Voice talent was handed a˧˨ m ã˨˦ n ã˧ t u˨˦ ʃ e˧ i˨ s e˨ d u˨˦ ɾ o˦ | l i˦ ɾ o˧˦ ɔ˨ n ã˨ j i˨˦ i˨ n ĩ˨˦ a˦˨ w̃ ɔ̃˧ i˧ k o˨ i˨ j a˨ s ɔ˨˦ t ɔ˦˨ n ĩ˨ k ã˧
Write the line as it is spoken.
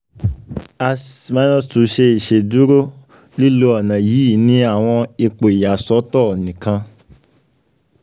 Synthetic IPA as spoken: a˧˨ m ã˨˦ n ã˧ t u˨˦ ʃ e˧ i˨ ʃ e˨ d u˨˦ ɾ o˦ | l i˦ l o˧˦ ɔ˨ n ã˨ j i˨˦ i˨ n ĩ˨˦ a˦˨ w̃ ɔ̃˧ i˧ k͡p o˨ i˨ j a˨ s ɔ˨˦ t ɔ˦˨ n ĩ˨ k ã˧